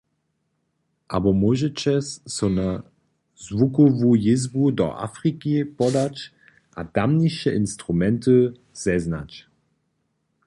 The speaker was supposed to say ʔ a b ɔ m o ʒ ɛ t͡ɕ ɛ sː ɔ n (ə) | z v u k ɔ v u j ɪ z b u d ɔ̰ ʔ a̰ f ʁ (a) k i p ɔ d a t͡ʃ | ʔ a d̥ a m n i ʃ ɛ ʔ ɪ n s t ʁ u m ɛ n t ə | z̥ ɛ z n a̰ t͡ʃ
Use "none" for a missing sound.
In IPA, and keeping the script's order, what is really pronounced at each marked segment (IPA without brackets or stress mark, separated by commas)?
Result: a, i